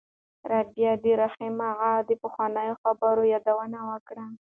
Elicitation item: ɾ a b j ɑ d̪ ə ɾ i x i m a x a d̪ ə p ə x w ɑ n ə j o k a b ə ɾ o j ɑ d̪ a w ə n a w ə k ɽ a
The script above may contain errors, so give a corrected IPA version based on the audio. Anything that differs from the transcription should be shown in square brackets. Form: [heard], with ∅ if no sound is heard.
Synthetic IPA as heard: ɾ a b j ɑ d̪ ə ɾ [a] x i m a [ɣ] a d̪ ə p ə x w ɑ n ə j o [x] a b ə ɾ o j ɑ d̪ a w ə n a w ə k ɽ a

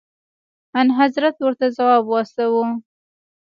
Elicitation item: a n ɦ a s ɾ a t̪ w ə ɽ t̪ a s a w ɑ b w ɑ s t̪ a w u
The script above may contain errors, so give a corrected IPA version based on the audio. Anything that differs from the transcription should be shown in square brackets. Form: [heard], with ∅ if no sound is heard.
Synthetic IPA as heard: a n ɦ a [z] ɾ a t̪ w ə [ɾ] t̪ a [z] a w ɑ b w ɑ s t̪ a w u

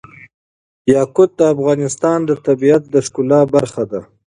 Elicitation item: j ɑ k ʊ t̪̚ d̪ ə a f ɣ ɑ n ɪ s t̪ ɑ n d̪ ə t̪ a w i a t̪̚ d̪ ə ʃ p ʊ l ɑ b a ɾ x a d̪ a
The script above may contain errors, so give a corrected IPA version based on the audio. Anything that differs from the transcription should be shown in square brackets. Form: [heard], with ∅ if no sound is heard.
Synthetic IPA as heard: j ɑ k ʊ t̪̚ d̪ ə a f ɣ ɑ n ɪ s t̪ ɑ n d̪ ə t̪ a [b] i a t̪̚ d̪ ə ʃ [k] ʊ l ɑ b a ɾ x a d̪ a

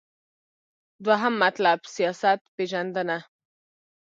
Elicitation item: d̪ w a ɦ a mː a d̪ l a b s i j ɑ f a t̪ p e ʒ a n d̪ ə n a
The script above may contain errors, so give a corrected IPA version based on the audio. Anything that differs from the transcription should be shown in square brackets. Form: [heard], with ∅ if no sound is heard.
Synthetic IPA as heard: d̪ w a ɦ a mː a [t̪] l a b s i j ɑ [s] a t̪ p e ʒ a n d̪ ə n a

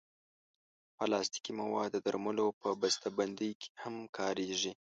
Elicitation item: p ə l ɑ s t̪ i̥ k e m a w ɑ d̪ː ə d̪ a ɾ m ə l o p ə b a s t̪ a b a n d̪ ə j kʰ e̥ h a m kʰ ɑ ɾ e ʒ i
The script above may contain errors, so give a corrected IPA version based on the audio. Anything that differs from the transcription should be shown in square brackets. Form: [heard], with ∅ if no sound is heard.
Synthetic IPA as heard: p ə l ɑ s t̪ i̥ k [i] m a w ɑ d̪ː ə d̪ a ɾ m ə l o p ə b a s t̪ a b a n d̪ ə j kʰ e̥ h a m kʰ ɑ ɾ e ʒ i

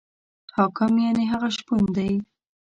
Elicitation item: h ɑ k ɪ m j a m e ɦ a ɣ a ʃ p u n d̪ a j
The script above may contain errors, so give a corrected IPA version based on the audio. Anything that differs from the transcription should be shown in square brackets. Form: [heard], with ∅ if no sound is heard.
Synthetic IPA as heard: h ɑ k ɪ m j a [n] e ɦ a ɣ a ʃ p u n d̪ a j

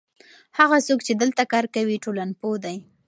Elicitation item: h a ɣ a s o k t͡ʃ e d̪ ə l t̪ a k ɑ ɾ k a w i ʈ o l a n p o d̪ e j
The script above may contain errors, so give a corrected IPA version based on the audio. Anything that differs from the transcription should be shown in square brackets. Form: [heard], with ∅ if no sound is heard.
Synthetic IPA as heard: h a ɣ a s o k t͡ʃ e d̪ ə l t̪ a k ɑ ɾ k a w i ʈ o l a n p o d̪ [a] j

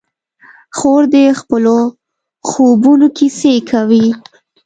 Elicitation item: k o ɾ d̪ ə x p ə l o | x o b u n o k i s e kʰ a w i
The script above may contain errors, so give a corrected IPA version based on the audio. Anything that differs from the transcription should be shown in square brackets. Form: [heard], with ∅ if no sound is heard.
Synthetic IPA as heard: [x] o ɾ d̪ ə x p ə l o | x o b u n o k i s e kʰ a w i

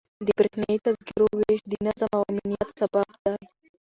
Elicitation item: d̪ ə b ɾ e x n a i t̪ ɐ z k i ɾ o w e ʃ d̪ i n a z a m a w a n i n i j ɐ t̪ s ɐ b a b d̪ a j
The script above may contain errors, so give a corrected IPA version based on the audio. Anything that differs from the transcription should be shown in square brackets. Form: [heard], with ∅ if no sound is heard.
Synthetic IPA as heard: d̪ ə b ɾ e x n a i t̪ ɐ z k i ɾ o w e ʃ d̪ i n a z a m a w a [m] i n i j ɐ t̪ s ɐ b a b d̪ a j

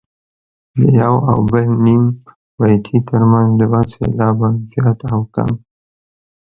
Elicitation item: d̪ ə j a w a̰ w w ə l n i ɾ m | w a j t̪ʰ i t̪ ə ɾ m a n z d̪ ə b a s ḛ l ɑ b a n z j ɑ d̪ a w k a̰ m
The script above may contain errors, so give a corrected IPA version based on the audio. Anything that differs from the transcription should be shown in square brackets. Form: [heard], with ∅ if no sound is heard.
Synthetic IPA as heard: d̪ ə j a w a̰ w [b] ə l n i [∅] m | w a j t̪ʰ i t̪ ə ɾ m a n z d̪ ə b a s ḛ l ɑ b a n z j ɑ [t̪] a w k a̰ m

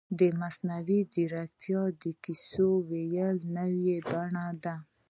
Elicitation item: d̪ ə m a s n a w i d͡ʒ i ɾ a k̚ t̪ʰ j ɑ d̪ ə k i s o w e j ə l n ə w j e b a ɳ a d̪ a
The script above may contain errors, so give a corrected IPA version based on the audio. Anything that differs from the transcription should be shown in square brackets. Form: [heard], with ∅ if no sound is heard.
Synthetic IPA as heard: d̪ ə m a s n a w i d͡ʒ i ɾ a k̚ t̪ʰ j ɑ d̪ ə k i s o w e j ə l n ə w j e b a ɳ a d̪ a

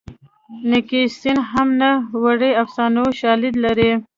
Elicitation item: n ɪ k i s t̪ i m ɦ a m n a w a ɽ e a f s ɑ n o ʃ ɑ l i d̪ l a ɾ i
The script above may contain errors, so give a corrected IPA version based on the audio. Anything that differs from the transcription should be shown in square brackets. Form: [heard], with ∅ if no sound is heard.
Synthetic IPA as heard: n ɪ k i s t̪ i [n] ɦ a m n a w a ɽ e a f s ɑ n o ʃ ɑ l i d̪ l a ɾ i

